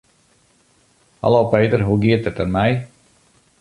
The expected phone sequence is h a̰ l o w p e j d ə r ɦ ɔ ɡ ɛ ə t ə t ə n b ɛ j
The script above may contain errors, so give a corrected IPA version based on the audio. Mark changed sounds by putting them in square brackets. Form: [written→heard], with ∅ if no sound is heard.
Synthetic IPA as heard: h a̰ l o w p e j [d→t] ə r ɦ [ɔ→u] ɡ [ɛ→i] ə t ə t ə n [b→m] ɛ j